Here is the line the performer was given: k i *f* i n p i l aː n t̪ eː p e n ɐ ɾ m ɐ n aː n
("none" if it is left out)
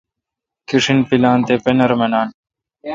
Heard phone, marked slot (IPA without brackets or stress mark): ʂ